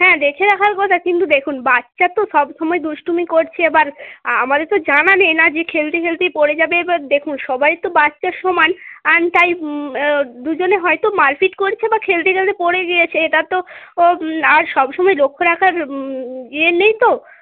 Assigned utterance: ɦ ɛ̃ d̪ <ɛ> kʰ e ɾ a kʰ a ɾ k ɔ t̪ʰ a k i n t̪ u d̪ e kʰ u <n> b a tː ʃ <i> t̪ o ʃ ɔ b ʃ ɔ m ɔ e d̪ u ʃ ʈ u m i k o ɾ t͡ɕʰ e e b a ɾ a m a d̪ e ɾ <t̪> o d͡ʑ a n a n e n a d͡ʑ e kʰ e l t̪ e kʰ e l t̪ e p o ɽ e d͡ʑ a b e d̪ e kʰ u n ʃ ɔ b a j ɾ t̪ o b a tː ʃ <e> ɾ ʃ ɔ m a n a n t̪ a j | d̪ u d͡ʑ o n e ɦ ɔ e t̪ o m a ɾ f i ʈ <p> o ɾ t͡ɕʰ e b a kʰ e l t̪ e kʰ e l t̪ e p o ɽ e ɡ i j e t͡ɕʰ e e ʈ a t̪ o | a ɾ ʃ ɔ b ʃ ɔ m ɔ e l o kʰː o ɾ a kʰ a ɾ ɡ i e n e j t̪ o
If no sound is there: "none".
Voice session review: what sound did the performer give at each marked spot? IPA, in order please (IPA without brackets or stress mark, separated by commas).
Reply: e, n, a, t̪, a, k